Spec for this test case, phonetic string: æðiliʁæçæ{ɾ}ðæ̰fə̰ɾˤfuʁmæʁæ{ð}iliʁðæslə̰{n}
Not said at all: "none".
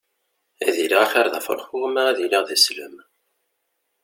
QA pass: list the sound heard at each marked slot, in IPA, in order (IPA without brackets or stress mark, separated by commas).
ɾ, ð, m